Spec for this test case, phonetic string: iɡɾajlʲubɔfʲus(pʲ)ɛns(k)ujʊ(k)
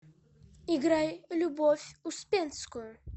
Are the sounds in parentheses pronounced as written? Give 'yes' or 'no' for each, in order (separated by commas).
yes, yes, no